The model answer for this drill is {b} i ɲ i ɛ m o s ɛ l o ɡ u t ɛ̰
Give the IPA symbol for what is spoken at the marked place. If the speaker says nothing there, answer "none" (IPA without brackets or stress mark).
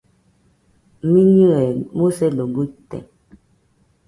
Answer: m